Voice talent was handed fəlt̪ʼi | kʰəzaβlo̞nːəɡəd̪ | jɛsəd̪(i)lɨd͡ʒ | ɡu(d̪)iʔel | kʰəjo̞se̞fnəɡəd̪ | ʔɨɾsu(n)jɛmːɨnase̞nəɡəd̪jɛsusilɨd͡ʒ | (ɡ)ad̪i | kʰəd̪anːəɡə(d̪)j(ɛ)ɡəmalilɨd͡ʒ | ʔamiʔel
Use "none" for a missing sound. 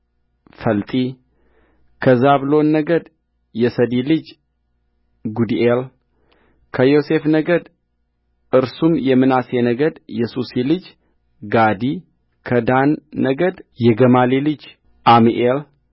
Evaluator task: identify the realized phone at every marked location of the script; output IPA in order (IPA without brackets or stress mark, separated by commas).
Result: i, d̪, m, ɡ, d̪, ɛ